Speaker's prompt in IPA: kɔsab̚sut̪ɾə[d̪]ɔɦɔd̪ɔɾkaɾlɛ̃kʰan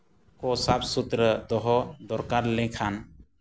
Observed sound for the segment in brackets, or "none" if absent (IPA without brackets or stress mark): d̪